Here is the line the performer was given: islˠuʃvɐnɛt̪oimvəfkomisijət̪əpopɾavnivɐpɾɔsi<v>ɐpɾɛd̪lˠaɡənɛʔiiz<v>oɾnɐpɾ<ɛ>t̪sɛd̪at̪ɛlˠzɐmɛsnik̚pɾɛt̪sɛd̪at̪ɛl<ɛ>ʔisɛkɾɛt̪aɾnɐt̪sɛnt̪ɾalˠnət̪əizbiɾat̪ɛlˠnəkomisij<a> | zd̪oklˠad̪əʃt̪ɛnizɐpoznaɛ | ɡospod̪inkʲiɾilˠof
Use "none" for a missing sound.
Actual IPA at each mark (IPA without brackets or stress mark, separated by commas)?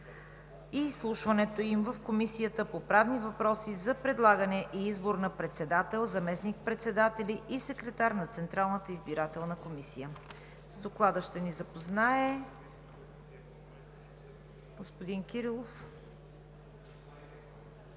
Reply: z, b, ɛ, i, ə